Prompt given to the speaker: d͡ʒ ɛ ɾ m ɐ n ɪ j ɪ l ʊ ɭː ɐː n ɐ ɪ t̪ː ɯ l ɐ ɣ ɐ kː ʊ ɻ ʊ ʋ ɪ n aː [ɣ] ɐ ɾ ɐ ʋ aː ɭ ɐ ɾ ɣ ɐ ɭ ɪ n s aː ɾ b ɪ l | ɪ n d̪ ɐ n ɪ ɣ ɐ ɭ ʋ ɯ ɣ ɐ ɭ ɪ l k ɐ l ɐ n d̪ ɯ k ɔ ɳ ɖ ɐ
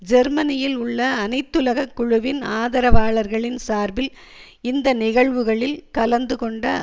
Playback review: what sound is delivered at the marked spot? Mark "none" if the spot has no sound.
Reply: ð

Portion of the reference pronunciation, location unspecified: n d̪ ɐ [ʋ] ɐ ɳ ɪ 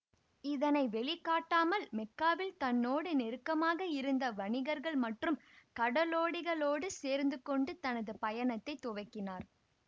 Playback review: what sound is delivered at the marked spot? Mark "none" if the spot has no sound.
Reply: ʋ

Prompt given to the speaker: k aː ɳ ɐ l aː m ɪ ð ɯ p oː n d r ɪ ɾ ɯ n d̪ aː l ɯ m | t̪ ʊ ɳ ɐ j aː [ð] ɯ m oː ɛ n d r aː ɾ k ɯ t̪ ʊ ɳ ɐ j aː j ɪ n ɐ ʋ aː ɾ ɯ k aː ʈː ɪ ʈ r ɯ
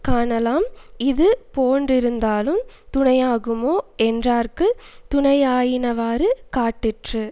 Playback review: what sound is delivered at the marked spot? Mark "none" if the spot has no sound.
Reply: ɣ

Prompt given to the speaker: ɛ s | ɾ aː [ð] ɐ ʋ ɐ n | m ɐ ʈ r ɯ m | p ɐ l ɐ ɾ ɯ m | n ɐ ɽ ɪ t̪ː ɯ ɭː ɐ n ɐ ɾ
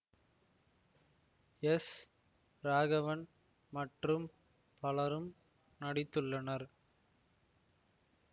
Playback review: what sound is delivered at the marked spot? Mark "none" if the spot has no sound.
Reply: ɣ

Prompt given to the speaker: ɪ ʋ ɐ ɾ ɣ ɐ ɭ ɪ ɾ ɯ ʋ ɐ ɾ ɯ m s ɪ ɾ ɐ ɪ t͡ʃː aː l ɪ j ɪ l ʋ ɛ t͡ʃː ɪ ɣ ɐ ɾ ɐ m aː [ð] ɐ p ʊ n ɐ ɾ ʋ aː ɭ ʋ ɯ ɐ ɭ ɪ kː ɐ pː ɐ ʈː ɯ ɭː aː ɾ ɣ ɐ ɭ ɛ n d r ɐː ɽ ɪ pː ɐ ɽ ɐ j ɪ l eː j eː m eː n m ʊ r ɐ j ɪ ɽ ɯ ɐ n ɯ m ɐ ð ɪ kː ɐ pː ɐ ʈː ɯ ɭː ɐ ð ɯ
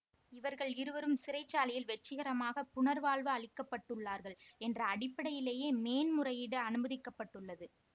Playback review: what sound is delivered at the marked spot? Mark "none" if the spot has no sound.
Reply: ɣ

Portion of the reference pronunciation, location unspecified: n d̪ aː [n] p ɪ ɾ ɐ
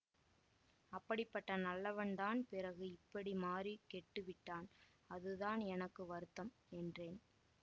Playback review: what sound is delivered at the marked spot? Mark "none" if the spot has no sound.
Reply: n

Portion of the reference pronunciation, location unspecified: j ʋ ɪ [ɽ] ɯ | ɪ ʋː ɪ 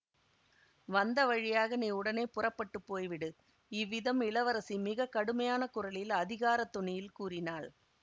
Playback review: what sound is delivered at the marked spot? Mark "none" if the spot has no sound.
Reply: ɽ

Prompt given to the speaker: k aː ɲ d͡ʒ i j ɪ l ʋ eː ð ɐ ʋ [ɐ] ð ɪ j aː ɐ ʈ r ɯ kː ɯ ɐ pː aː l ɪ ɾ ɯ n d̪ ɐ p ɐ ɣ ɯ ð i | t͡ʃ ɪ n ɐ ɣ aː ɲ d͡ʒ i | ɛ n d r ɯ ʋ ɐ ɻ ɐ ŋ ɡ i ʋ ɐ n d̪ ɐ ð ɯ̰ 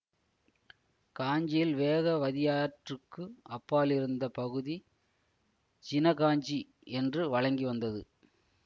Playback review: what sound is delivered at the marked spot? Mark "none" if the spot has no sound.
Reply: ɐ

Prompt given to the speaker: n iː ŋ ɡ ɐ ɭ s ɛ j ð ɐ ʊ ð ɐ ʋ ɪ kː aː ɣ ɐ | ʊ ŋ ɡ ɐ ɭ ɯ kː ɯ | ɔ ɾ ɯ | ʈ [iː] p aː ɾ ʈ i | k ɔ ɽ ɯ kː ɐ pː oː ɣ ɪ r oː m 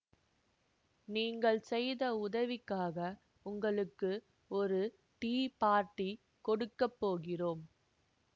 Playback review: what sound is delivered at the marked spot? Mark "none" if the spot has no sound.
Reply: iː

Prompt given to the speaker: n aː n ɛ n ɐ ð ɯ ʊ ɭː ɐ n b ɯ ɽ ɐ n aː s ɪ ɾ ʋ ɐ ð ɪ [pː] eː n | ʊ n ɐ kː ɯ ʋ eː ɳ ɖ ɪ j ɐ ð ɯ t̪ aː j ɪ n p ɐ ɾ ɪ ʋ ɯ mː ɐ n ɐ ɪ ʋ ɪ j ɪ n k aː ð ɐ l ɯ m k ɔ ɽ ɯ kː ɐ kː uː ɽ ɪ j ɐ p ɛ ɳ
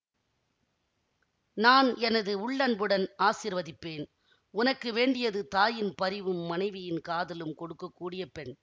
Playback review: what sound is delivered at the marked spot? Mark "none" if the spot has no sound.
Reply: pː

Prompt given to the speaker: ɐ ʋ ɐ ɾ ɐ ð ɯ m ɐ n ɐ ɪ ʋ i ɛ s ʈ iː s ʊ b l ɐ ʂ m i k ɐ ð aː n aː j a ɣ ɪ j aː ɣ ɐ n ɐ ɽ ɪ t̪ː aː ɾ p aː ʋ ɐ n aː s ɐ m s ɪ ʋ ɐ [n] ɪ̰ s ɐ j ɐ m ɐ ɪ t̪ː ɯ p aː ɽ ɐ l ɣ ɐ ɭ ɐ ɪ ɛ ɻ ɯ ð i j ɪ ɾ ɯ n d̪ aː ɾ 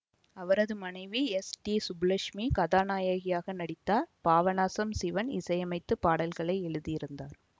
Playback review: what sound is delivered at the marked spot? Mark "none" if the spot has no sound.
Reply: n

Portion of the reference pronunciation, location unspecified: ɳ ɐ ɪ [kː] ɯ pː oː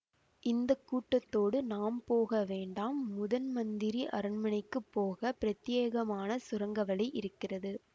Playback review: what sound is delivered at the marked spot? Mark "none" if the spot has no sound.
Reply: kː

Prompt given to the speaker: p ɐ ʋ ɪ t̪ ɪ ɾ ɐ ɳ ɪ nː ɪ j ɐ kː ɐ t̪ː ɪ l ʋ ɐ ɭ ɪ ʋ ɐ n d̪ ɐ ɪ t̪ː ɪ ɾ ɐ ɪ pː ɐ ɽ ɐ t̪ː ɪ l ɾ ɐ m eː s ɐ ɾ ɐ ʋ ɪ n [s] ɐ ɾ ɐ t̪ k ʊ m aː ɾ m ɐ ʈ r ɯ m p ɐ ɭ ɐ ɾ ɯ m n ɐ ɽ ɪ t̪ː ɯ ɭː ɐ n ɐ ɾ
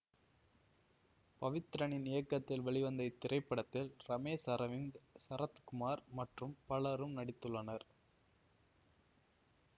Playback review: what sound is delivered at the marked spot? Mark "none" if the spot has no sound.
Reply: s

